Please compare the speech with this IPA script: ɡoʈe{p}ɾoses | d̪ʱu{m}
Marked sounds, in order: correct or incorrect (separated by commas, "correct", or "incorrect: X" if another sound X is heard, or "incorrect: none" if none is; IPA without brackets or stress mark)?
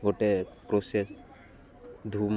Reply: correct, correct